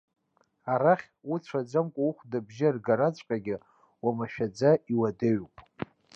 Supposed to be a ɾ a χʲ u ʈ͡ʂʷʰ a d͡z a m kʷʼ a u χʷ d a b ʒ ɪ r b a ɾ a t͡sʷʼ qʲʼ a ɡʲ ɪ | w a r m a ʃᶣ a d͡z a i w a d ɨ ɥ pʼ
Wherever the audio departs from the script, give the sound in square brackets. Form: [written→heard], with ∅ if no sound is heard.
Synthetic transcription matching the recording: a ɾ a χʲ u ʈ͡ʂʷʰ a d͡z a m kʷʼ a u χʷ d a b ʒ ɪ r [b→ɡ] a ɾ a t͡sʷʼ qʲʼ a ɡʲ ɪ | w a [r→∅] m a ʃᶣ a d͡z a i w a d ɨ ɥ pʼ